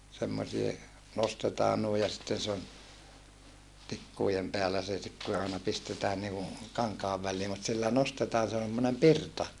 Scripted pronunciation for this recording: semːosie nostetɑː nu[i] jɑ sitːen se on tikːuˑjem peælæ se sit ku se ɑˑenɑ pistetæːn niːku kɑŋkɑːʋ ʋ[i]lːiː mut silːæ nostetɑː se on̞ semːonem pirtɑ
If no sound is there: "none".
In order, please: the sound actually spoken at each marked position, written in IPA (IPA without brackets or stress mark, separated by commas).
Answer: i, æ